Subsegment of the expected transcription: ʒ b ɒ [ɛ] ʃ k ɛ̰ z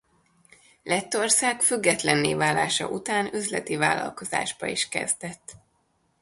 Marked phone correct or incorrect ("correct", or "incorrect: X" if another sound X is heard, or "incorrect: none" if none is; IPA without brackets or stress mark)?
incorrect: i